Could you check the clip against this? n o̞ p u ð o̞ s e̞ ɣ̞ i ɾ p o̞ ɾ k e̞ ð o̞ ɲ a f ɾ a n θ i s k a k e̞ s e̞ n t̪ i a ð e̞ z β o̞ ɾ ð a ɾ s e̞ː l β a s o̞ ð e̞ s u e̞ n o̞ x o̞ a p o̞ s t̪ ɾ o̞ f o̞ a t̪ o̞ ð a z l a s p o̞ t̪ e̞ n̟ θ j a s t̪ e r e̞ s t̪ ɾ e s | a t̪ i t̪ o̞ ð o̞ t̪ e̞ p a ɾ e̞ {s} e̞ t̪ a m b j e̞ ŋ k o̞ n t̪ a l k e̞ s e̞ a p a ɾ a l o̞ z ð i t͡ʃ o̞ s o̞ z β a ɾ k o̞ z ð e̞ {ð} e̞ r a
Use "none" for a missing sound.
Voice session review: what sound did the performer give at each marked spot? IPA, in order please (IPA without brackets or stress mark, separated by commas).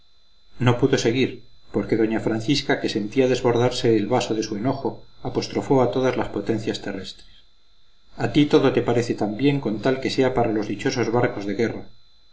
θ, ɣ